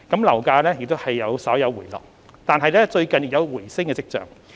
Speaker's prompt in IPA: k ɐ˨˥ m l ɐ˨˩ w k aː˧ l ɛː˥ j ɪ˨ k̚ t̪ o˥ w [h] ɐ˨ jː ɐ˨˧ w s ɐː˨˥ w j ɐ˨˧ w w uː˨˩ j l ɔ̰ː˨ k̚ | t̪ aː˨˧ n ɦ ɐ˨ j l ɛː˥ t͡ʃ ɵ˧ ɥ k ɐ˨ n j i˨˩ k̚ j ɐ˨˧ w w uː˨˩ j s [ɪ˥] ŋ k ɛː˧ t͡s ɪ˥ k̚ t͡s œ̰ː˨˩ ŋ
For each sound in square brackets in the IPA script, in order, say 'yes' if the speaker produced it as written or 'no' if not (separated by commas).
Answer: yes, yes